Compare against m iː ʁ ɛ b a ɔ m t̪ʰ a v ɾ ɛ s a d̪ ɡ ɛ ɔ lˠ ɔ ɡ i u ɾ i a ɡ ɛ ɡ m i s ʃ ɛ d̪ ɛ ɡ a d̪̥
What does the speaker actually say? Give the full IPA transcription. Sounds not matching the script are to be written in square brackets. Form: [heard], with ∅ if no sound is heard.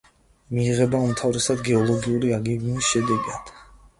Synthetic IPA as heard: m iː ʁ ɛ b a [u] m t̪ʰ a v ɾ ɛ s a d̪ ɡ ɛ ɔ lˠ ɔ ɡ i u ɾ i a ɡ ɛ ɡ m i s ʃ ɛ d̪ ɛ ɡ a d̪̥